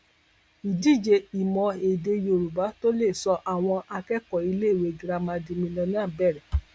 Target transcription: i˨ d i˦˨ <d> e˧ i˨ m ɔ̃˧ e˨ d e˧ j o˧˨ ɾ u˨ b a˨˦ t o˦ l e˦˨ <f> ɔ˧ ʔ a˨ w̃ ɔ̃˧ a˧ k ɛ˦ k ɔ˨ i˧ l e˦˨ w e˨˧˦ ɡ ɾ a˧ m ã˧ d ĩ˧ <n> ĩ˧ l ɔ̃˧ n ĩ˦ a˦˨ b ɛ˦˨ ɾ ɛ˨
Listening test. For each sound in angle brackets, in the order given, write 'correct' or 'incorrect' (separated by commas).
incorrect, incorrect, incorrect